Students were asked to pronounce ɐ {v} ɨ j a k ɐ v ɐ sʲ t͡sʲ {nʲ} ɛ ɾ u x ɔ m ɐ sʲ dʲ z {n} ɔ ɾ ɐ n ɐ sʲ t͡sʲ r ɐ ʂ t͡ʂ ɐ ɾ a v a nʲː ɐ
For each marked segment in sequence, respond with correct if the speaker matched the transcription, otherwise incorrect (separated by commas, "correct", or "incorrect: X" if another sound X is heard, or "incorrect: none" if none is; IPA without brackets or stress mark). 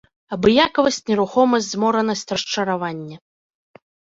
incorrect: b, correct, incorrect: m